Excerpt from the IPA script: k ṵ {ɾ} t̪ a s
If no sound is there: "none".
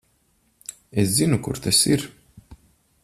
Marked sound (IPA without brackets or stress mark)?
ɾ